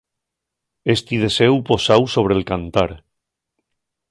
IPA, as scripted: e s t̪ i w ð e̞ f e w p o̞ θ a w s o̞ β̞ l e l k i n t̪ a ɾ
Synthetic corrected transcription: e s t̪ i ð e̞ s e w p o̞ s a w s o̞ β̞ ɾ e l k a n t̪ a ɾ